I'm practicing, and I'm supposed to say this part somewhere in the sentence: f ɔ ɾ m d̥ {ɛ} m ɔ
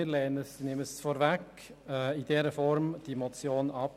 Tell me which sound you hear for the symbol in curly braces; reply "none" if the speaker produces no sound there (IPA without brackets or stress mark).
i